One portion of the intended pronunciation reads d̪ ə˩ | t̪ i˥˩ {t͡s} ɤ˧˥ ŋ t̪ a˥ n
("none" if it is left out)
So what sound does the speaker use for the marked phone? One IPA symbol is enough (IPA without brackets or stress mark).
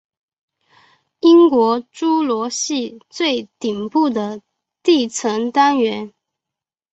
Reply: t͡sʰ